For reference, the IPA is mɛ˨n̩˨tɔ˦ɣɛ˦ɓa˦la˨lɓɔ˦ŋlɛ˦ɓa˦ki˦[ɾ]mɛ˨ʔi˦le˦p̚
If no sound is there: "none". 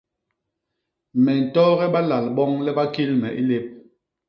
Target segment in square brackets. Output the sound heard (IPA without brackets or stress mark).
l